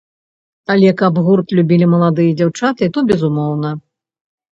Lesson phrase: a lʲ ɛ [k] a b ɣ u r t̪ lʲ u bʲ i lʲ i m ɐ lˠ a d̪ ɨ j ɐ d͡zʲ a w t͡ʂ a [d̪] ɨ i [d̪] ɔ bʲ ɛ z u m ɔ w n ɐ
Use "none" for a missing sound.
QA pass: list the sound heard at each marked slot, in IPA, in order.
k, t̪, t̪

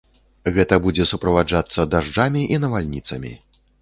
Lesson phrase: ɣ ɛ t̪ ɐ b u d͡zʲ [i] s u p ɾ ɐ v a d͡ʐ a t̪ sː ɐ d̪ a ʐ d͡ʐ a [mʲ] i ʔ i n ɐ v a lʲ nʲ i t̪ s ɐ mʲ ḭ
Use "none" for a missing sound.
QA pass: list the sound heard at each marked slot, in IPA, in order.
ɛ, mʲ

